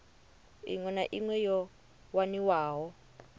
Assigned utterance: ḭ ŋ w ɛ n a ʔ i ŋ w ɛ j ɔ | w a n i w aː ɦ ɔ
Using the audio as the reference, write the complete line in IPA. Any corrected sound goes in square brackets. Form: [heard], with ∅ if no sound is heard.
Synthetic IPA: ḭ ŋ w ɛ n a ʔ i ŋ w ɛ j ɔ | w a n i w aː ɦ ɔ